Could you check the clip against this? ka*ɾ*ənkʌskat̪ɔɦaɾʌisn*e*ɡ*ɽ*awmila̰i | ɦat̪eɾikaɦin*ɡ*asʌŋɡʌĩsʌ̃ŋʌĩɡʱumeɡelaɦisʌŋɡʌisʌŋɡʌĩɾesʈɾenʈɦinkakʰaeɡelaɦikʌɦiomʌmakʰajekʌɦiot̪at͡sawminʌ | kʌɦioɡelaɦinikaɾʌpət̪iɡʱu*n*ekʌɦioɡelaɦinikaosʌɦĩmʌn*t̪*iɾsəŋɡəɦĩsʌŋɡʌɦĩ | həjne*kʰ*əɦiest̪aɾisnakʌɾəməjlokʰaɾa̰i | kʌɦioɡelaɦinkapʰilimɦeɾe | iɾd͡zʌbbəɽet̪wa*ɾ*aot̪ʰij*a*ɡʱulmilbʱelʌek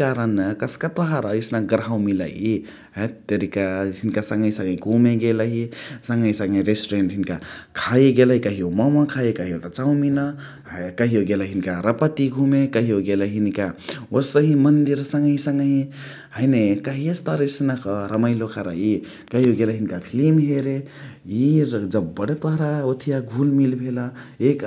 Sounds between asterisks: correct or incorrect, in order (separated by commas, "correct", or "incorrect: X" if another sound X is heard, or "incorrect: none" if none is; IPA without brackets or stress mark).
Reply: correct, incorrect: a, incorrect: ɾ, incorrect: k, incorrect: m, incorrect: d̪, incorrect: k, correct, correct